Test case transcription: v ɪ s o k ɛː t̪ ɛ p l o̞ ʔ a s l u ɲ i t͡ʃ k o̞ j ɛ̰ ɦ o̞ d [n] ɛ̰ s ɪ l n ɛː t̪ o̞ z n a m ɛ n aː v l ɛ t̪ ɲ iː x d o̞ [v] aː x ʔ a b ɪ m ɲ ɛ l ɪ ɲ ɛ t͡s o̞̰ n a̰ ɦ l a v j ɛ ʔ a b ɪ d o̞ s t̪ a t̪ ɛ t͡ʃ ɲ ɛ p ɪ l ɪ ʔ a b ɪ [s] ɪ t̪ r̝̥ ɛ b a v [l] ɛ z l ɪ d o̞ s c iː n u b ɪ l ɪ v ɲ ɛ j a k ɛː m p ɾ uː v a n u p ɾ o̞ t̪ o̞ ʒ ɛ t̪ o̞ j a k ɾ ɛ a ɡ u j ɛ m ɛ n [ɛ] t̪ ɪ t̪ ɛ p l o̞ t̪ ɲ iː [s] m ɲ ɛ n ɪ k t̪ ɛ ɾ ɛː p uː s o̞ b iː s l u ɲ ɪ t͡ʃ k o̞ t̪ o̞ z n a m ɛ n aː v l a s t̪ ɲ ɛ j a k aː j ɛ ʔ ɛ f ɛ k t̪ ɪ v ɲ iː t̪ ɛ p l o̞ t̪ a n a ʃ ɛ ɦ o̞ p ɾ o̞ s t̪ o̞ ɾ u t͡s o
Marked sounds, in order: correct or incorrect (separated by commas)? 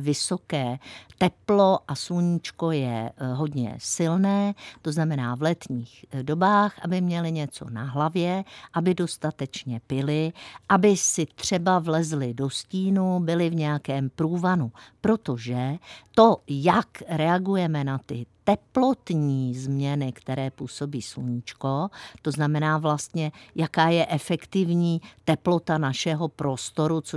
incorrect, incorrect, correct, correct, incorrect, incorrect